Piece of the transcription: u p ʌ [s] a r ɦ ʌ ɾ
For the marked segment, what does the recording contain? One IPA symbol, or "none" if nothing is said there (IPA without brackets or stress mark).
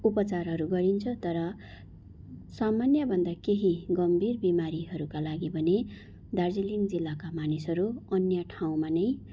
t͡s